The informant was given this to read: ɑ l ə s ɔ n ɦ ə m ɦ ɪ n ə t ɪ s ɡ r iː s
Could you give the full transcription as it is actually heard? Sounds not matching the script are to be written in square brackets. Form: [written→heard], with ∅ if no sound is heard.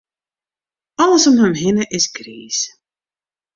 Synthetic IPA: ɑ l ə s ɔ [n→m] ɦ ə m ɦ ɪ n ə [t→ʔ] ɪ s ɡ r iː s